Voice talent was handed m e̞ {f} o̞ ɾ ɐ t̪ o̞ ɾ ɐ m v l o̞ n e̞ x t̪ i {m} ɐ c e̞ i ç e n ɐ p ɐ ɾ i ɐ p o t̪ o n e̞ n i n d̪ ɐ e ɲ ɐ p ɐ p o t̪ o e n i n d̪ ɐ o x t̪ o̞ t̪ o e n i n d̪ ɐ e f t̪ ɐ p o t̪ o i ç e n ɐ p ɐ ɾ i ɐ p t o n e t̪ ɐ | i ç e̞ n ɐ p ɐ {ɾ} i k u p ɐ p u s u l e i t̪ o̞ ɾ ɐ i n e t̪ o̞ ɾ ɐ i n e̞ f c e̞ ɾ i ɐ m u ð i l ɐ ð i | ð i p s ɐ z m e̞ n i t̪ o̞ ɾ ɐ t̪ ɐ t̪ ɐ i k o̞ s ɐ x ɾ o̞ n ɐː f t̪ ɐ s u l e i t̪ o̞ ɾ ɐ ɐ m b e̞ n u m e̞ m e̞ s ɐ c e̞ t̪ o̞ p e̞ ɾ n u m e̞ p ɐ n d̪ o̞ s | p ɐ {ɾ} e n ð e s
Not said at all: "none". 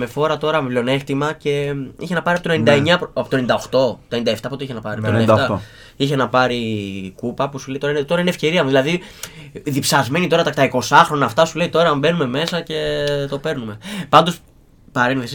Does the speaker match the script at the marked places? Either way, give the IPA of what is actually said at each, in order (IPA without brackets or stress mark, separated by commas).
f, m, ɾ, ɾ